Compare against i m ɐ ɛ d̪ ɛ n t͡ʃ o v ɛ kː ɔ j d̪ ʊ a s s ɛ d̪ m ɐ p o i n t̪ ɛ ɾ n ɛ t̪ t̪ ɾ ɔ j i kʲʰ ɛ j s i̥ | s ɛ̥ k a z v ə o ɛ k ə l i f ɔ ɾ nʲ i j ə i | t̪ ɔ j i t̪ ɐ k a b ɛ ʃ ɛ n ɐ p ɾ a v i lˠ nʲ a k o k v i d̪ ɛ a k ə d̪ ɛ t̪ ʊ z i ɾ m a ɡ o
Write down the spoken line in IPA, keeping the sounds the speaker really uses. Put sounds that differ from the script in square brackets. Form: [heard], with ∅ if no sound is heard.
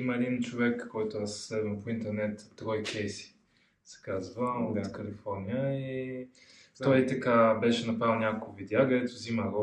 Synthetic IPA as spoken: i m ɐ ɛ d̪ [i] n t͡ʃ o v ɛ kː ɔ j [t̪] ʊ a s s ɛ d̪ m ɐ p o i n t̪ ɛ ɾ n ɛ t̪ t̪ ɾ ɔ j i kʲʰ ɛ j s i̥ | s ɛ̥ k a z v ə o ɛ k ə l i f ɔ ɾ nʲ i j ə i | t̪ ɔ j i t̪ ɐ k a b ɛ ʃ ɛ n ɐ p ɾ a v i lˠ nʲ a k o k v i d̪ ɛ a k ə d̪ ɛ t̪ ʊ z i [∅] m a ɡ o